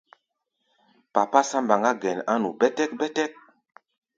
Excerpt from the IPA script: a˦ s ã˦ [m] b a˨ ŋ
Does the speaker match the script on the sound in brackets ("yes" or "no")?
yes